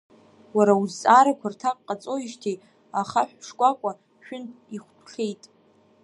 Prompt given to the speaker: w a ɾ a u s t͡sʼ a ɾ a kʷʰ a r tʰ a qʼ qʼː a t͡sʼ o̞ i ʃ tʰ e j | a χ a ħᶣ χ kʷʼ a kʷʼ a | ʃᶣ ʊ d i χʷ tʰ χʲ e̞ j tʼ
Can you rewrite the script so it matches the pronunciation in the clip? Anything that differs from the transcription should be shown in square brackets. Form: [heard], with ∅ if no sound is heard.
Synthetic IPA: w a ɾ a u [z] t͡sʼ a ɾ a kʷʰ a r tʰ a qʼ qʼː a t͡sʼ o̞ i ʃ tʰ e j | a χ a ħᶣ [ʂ] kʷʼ a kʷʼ a | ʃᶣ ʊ [n] i χʷ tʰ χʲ e̞ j tʼ